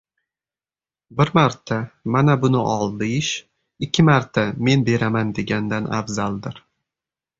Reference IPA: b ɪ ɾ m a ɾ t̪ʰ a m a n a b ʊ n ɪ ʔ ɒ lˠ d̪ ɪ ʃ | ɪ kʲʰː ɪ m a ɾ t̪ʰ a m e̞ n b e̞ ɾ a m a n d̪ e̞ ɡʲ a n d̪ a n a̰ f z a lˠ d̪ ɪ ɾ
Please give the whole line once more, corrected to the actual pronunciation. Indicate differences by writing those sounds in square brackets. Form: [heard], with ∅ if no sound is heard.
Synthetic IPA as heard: b ɪ ɾ m a ɾ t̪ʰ a m a n a b ʊ n ɪ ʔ ɒ lˠ d̪ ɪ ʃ | ɪ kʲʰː ɪ m a ɾ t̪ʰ a m e̞ n b e̞ ɾ a m a n d̪ e̞ ɡʲ a n d̪ a n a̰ f z a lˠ d̪ ɪ ɾ